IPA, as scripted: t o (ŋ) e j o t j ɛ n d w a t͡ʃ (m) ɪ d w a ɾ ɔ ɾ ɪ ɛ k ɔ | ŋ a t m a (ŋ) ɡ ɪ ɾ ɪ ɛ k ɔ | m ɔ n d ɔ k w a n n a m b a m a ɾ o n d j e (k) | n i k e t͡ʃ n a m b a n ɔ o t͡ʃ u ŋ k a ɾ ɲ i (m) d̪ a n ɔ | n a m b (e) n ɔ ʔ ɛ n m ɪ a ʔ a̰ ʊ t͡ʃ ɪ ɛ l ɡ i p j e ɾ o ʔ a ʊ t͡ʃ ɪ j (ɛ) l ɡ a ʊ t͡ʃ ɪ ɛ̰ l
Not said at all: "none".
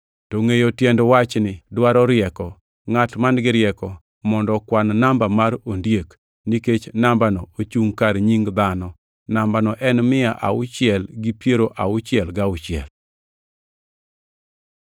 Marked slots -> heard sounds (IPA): ŋ, n, n, k, ŋ, a, ɛ

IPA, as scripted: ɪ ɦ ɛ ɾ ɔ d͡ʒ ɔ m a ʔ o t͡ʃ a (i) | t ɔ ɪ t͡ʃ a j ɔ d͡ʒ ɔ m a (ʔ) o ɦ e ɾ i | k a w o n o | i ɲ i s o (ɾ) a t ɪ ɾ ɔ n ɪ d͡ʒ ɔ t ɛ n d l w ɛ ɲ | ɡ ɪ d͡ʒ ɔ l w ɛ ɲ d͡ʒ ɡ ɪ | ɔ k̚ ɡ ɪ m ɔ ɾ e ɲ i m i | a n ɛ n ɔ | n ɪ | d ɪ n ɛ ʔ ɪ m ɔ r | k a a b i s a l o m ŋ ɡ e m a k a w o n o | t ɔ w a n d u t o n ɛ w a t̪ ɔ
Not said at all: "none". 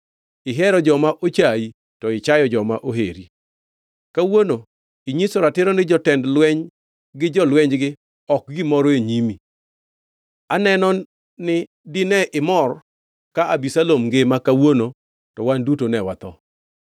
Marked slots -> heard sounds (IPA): i, ʔ, ɾ

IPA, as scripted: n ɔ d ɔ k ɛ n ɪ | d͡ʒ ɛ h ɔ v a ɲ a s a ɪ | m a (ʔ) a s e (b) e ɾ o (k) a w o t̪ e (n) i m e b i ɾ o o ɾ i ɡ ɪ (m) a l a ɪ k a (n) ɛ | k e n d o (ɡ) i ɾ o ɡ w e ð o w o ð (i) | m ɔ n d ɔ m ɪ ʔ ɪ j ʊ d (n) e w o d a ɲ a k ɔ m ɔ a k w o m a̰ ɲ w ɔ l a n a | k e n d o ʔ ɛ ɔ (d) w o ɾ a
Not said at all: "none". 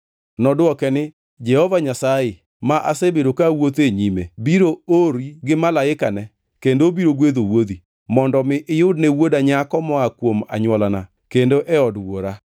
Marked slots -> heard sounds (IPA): ʔ, b, k, ɲ, m, n, b, i, n, d

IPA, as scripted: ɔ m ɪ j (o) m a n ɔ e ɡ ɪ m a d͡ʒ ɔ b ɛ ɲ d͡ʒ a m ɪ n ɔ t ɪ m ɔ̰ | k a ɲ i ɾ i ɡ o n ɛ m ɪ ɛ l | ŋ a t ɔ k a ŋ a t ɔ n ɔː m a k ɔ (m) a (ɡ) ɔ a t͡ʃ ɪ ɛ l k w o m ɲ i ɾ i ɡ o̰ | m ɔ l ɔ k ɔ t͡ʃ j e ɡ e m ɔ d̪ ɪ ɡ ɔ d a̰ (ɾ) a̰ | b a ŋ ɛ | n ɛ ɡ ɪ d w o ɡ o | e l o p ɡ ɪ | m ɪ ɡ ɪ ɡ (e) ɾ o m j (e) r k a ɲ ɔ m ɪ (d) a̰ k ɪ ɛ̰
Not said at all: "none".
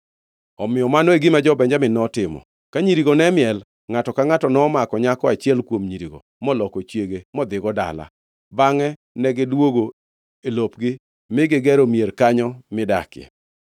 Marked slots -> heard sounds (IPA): ɔ, ɲ, k, l, ɛ, e, d

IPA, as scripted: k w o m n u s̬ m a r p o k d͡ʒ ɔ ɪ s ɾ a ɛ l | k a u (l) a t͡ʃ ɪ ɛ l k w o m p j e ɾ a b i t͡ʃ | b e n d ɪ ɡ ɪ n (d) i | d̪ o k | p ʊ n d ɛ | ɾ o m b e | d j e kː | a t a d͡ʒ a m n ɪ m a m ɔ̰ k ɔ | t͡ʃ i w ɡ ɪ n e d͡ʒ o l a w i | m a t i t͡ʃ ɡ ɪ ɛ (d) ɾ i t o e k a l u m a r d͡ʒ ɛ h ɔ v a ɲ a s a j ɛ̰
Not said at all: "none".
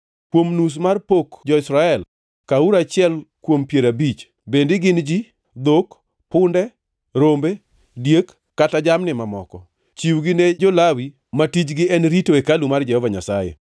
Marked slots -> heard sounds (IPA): ɾ, d͡ʒ, n

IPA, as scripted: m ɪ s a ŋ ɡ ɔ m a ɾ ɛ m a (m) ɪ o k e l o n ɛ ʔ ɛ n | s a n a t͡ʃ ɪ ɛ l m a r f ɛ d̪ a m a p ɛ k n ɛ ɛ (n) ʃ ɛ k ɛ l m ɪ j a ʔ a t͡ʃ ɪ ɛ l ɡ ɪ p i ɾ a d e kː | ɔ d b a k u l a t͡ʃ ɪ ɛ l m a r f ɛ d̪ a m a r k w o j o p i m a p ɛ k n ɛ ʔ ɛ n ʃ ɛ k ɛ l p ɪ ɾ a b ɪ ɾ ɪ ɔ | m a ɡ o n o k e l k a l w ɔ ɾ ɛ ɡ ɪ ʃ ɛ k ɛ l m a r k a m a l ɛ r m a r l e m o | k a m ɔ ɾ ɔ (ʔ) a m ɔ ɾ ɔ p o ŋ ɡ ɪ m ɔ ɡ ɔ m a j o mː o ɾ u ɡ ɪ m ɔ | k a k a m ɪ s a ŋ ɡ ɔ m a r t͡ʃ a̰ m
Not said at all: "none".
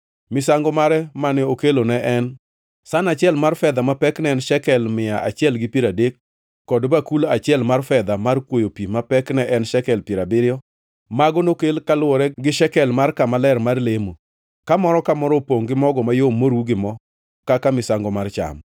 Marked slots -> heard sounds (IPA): n, n, k

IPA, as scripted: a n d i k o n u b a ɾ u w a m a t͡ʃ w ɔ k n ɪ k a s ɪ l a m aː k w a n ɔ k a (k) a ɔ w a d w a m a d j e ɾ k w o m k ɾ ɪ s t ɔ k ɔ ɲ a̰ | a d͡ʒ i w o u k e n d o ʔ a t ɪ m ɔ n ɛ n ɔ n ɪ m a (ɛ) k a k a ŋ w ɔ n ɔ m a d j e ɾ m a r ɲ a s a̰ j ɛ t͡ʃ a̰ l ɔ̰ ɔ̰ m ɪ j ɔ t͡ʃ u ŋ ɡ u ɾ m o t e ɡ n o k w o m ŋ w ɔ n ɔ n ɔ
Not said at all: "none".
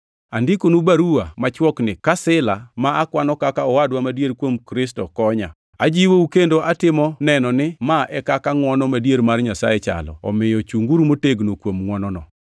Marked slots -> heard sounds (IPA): k, ɛ

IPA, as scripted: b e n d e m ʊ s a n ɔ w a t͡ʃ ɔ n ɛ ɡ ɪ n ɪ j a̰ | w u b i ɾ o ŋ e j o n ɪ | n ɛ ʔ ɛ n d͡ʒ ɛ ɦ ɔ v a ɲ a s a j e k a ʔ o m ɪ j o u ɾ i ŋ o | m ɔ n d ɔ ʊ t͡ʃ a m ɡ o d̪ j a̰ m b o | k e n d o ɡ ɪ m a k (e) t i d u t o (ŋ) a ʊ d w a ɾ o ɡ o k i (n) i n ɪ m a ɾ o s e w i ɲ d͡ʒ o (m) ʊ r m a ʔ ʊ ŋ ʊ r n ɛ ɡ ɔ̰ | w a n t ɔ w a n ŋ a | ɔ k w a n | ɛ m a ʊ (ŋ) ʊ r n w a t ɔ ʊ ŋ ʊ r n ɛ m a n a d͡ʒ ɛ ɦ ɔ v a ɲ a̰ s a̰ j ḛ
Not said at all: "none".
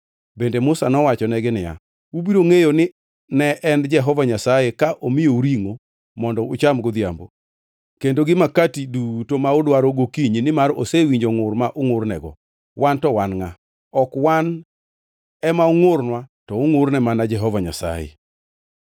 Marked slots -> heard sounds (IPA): a, m, ɲ, ŋ, ŋ

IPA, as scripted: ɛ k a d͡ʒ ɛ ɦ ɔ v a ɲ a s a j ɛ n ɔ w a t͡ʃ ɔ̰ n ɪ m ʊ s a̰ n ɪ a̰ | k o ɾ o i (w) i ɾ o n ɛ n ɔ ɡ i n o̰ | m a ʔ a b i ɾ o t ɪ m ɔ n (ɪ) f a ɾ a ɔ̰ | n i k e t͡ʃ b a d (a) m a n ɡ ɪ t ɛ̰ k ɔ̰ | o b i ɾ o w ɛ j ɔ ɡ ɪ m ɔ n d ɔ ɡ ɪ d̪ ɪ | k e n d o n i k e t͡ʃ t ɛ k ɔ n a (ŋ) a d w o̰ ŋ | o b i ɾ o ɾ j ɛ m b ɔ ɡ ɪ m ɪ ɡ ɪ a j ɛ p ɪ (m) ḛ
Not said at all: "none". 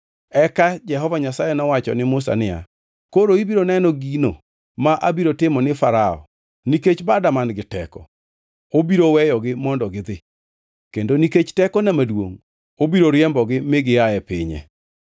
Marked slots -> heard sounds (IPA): b, ɪ, a, m, ɲ

